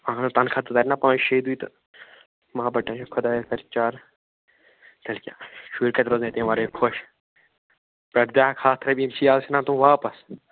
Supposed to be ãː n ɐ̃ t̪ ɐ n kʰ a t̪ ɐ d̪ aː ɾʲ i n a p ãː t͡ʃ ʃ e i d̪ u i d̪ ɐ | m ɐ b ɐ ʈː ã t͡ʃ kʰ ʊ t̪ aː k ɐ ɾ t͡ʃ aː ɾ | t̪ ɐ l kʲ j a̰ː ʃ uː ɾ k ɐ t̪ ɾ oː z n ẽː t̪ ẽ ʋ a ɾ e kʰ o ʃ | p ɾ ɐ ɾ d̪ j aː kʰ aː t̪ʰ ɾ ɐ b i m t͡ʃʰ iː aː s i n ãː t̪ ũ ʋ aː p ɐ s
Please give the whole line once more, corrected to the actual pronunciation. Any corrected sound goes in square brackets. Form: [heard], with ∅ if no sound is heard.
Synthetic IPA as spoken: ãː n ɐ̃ t̪ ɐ n kʰ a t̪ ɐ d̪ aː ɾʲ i n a p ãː t͡ʃ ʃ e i d̪ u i [t̪] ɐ | m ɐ b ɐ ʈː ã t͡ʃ kʰ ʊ [d̪] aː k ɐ ɾ t͡ʃ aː ɾ | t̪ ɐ l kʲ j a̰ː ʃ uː ɾ k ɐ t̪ ɾ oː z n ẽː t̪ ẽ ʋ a ɾ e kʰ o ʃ | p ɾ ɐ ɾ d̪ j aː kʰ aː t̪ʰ ɾ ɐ b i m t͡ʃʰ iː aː s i n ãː t̪ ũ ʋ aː p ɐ s